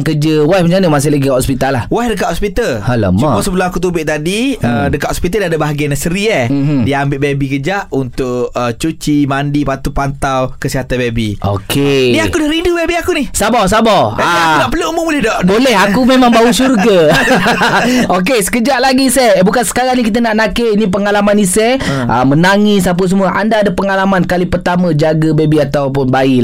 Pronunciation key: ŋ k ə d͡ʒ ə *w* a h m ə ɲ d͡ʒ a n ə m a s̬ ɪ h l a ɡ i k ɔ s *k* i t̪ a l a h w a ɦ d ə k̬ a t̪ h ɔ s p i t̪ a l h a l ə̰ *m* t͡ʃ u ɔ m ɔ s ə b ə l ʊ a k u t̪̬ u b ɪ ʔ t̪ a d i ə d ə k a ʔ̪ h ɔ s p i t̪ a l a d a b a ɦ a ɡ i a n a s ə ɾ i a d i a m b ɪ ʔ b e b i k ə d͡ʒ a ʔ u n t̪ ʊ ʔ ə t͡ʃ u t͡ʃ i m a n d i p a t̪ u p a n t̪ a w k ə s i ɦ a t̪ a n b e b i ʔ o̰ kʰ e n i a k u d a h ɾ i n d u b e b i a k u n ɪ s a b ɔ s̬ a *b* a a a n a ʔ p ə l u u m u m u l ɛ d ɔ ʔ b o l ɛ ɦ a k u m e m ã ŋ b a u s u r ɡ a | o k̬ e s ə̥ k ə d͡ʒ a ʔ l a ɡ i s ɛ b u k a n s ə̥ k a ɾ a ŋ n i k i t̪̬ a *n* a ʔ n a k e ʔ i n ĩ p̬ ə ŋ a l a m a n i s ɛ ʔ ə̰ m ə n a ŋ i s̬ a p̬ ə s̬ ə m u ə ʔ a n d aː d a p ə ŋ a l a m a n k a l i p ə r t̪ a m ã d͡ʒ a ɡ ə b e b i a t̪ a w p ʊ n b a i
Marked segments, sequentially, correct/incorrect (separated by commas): correct, incorrect, correct, correct, correct